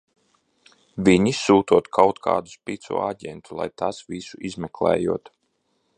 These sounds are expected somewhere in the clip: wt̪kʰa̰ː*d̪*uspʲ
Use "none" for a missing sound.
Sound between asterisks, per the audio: d̪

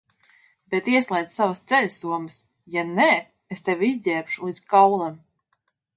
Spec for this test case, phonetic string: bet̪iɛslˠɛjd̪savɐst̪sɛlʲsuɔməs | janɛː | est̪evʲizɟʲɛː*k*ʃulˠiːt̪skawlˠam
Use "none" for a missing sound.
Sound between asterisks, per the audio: p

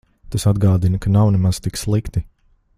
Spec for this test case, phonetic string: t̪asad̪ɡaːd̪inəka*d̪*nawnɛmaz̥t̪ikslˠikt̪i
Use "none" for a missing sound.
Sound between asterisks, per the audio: none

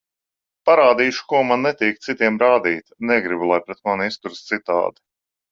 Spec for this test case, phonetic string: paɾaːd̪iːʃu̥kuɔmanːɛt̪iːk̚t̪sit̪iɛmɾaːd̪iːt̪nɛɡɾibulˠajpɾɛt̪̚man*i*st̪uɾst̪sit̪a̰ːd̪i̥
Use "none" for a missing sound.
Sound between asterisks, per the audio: i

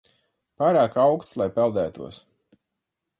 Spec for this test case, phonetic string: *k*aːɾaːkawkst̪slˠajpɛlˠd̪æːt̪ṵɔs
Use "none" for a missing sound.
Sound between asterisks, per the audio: p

